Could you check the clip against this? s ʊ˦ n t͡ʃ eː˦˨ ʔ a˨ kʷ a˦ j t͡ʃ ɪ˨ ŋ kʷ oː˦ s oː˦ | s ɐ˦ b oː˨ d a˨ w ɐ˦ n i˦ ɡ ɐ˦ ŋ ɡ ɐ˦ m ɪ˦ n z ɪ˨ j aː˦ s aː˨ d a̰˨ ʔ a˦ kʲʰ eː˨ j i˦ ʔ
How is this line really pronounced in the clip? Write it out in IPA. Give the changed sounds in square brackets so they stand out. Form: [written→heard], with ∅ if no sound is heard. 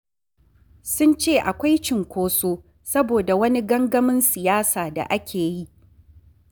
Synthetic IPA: s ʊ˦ n t͡ʃ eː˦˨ ʔ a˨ kʷ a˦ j t͡ʃ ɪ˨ ŋ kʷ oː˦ s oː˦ | s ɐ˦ b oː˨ d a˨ w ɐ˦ n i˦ ɡ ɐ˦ ŋ ɡ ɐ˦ m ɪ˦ n [z→s] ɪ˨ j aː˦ s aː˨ d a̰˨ ʔ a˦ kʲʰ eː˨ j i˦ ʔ